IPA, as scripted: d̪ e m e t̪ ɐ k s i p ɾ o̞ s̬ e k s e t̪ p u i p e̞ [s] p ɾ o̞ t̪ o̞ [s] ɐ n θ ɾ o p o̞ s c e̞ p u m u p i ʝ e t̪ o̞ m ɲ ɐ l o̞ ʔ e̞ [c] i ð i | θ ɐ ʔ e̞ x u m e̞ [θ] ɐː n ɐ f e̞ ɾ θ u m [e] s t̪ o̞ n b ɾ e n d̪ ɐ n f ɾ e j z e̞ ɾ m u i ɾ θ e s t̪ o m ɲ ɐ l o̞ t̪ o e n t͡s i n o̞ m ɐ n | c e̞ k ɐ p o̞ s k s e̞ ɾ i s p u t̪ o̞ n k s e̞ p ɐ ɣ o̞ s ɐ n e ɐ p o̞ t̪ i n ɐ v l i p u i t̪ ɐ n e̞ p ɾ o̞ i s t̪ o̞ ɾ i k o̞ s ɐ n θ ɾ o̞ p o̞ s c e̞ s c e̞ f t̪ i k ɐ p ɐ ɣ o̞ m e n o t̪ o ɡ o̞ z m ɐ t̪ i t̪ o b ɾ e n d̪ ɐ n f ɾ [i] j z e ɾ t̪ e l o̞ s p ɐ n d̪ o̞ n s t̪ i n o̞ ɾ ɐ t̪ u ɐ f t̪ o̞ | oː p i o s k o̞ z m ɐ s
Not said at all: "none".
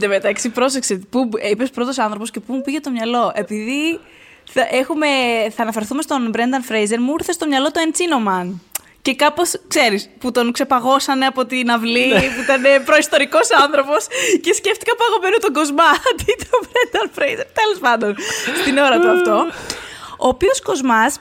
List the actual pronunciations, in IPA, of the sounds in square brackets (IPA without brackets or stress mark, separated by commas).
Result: s, s, p, θ, e, e